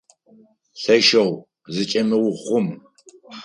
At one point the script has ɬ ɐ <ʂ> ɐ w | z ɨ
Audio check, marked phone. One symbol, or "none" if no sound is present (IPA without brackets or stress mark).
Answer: ʃ